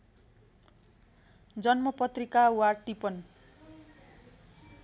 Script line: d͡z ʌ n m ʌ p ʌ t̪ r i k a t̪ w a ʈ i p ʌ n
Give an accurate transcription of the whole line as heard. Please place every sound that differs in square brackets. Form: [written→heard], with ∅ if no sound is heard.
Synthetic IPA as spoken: d͡z ʌ n m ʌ p ʌ t̪ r i k a [t̪→∅] w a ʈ i p ʌ n